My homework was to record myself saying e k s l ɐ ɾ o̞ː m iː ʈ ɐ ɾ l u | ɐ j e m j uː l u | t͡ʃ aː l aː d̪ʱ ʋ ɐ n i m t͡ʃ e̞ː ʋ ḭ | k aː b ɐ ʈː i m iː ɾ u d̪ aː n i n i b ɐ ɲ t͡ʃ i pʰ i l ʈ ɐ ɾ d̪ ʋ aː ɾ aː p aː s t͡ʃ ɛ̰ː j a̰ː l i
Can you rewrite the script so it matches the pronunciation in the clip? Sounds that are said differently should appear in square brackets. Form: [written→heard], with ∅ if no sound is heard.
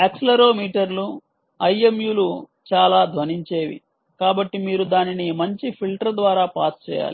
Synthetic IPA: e k s l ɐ ɾ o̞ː m iː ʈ ɐ ɾ l u | ɐ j e m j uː l u | t͡ʃ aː l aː d̪ʱ ʋ ɐ n i [m→ɲ] t͡ʃ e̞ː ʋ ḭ | k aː b ɐ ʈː i m iː ɾ u d̪ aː n i n i [b→m] ɐ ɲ t͡ʃ i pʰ i l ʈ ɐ ɾ d̪ ʋ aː ɾ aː p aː s t͡ʃ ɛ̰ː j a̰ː l i